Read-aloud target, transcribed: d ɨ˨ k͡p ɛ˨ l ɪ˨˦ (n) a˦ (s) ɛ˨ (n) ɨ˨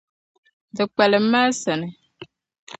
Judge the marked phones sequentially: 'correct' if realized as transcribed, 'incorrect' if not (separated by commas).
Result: incorrect, correct, correct